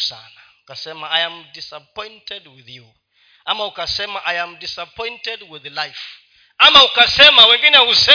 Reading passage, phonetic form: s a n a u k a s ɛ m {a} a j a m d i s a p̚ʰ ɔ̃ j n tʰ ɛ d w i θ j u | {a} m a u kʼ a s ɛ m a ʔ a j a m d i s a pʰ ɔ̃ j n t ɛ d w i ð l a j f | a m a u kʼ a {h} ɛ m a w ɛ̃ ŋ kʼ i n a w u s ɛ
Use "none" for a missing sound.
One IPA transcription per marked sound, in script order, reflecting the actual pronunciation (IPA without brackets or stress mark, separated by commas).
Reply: a, a, s